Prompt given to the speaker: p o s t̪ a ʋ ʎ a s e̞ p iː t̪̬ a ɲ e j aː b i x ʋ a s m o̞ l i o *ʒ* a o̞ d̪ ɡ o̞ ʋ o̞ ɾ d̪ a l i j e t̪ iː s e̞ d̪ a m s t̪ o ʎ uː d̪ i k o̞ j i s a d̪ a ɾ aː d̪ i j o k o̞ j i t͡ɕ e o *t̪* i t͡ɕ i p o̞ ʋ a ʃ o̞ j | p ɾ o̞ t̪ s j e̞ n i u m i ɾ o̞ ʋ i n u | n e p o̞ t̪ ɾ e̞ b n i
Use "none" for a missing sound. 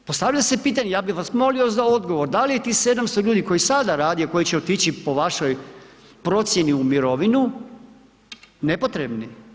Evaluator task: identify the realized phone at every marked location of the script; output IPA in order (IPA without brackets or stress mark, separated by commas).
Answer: z, t̪